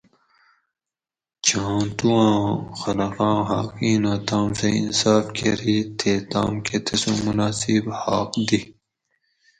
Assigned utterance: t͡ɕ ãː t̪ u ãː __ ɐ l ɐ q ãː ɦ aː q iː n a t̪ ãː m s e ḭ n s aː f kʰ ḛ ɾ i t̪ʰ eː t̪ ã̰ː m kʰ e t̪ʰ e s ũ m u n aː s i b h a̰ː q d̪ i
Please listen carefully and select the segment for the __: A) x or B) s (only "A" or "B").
A